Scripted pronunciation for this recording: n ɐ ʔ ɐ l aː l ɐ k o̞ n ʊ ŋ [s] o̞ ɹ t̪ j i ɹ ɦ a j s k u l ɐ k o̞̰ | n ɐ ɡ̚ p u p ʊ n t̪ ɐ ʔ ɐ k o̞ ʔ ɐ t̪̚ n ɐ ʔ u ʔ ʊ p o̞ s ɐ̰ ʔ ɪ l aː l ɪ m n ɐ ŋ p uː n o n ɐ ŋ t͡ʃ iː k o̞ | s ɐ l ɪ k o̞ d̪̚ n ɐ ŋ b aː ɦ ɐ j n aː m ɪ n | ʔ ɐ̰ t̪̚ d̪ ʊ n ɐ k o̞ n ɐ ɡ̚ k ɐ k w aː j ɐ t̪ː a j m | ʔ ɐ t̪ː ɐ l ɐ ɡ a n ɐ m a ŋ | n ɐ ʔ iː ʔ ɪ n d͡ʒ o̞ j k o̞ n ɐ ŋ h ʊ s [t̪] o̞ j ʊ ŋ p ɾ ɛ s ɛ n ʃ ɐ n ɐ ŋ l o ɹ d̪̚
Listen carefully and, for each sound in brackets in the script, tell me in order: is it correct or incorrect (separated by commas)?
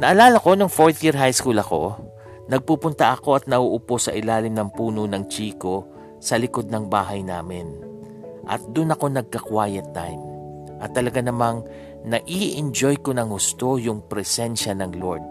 incorrect, correct